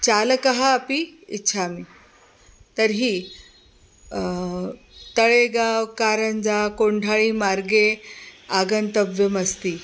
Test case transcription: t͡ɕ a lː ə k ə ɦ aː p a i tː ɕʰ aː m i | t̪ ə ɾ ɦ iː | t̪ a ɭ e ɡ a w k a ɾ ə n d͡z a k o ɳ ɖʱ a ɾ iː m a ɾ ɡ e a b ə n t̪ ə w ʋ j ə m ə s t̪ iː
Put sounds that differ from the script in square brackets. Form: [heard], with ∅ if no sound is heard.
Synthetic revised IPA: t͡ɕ a [l] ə k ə ɦ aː p [i] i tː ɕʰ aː m i | t̪ ə ɾ ɦ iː | t̪ [ə] ɭ e ɡ a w k a ɾ ə n d͡z a k o ɳ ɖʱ a [ɭ] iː m a ɾ ɡ e a [ɡ] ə n t̪ ə [b] ʋ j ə m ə s t̪ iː